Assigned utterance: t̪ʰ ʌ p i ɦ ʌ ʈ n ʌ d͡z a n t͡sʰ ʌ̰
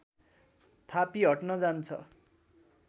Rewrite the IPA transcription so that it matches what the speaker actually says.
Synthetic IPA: t̪ʰ a p i ɦ ʌ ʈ n ʌ d͡z a n t͡sʰ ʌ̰